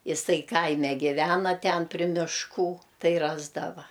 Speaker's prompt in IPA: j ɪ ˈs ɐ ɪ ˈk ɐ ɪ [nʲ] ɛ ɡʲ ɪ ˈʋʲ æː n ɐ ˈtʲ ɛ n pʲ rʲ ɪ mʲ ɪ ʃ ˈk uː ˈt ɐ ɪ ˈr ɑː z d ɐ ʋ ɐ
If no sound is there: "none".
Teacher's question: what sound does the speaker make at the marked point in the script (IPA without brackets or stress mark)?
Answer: mʲ